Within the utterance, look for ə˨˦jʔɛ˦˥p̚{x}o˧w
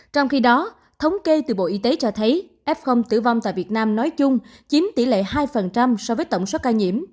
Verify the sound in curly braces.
correct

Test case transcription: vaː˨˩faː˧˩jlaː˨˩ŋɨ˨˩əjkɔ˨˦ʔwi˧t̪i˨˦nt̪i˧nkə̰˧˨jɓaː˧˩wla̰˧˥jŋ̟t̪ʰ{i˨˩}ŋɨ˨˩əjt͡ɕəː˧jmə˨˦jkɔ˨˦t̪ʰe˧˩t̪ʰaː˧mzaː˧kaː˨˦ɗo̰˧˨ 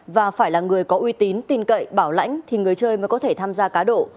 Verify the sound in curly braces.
correct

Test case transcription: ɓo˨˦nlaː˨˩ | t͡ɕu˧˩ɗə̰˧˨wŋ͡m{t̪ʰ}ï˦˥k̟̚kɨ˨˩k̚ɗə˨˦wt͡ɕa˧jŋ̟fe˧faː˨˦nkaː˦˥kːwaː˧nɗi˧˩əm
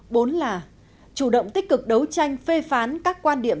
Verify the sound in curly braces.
incorrect: t̪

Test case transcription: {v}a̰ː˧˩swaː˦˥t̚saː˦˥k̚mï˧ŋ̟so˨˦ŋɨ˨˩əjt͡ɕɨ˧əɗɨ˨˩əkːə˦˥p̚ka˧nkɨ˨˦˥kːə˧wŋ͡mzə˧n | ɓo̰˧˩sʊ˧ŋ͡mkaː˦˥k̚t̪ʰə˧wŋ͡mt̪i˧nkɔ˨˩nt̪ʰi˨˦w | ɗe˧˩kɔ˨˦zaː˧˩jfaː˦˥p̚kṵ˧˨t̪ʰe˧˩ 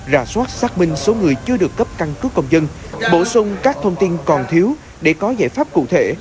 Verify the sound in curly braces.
incorrect: z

